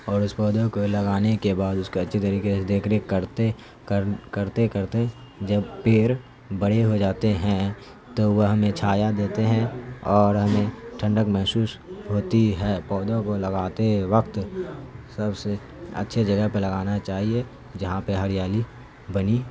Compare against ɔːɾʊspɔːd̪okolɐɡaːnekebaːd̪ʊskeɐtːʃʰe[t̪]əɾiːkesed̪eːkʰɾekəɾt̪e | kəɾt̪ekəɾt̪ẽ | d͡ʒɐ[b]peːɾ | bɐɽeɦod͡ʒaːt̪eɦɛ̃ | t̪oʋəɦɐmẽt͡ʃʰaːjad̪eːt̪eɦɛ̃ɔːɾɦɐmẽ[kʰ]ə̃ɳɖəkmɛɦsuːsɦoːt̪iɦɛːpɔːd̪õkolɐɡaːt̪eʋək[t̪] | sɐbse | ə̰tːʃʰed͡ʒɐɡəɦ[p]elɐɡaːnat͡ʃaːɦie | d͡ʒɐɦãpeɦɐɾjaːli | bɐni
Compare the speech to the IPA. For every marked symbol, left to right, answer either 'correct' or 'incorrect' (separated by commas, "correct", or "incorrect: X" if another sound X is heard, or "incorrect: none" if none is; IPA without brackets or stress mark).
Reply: correct, correct, incorrect: ʈʰ, correct, correct